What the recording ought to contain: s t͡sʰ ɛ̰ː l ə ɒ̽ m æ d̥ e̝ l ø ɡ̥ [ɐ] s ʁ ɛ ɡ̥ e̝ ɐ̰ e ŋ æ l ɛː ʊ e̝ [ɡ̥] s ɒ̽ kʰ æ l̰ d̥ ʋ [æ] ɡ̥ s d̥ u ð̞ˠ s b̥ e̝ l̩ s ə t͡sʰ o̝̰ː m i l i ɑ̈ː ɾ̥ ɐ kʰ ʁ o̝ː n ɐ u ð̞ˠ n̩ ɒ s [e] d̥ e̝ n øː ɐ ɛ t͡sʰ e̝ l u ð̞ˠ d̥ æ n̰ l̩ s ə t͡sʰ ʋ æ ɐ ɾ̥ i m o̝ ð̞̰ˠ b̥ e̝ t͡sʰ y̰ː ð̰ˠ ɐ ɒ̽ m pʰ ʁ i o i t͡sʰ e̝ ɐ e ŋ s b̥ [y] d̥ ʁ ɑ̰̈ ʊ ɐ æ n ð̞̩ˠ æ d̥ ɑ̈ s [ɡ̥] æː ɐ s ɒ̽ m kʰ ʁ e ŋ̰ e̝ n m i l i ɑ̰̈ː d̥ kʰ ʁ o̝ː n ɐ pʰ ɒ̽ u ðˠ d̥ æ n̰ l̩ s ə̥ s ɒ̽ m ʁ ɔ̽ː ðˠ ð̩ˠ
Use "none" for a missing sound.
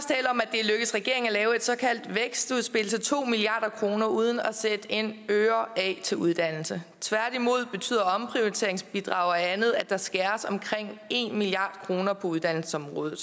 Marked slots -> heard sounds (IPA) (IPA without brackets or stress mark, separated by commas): ə, d̥, e, e, i, ɡ̥